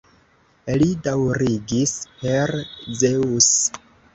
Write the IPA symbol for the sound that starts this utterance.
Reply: l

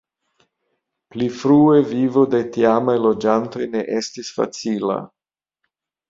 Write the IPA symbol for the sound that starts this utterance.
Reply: p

